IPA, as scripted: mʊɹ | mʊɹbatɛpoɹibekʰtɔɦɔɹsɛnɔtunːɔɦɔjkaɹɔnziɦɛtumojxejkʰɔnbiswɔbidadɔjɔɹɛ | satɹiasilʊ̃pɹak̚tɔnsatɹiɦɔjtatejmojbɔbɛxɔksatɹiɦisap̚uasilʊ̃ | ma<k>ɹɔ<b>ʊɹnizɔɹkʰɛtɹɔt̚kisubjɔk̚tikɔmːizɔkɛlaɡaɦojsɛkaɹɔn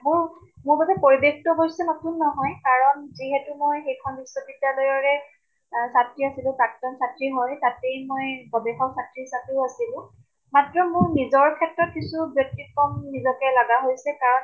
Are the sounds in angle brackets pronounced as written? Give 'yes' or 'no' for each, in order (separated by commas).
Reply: no, no